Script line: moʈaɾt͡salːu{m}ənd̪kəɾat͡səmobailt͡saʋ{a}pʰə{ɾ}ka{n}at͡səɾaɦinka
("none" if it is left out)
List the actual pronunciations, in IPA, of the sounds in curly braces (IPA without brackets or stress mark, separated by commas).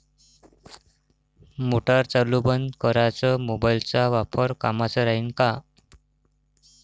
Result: b, a, ɾ, m